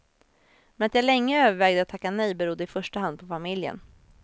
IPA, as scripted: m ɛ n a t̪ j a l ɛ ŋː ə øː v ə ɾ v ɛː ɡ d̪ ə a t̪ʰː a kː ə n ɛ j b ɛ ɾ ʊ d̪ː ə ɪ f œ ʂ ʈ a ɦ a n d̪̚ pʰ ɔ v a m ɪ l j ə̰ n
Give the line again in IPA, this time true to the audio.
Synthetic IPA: m ɛ n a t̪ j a l ɛ ŋː ə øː v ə ɾ v ɛː ɡ d̪ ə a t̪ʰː a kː a n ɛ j b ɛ ɾ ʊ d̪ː ə ɪ f œ ʂ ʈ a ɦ a n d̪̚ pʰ ɔ f a m ɪ l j ə̰ n